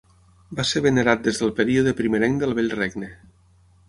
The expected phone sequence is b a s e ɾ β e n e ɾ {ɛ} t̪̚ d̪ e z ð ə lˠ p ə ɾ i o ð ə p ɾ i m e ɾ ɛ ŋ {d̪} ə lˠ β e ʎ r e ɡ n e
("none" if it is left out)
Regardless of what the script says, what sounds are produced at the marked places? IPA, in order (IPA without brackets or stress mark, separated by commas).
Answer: a, d̪